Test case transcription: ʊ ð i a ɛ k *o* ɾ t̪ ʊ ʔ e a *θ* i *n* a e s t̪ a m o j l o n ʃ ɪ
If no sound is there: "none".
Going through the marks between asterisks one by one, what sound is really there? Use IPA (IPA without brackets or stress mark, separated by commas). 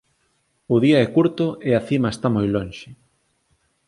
u, θ, m